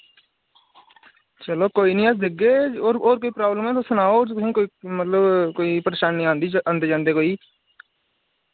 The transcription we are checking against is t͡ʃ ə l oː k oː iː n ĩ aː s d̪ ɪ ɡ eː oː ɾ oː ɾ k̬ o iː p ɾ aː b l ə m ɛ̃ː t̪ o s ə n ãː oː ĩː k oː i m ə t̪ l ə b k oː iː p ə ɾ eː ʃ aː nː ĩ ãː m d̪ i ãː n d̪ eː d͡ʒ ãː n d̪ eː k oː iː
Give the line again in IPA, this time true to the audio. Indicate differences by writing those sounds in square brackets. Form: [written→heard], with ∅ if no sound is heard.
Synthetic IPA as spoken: t͡ʃ ə l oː k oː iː n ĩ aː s d̪ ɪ ɡ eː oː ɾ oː ɾ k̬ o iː p ɾ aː b l ə m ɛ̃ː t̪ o s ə n [ãː→aː] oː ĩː k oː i m ə t̪ l ə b k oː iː p ə ɾ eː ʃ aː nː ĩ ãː [m→n] d̪ i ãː n d̪ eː d͡ʒ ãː n d̪ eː k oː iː